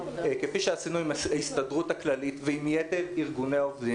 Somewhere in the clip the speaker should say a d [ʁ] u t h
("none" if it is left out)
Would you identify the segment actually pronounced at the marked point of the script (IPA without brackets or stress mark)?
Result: ʁ